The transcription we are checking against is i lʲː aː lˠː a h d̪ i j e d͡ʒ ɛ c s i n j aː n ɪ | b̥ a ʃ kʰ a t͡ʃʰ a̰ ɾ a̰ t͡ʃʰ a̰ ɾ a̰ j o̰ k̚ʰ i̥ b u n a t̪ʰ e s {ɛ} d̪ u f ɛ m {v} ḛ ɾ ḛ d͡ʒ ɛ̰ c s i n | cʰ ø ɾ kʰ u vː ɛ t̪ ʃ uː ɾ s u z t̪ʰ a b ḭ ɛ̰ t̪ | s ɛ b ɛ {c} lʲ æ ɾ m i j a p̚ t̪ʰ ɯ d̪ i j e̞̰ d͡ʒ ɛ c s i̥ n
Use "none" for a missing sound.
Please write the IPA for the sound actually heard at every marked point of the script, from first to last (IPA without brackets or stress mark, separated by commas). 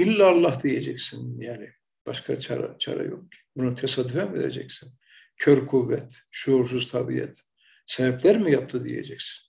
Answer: a, v, p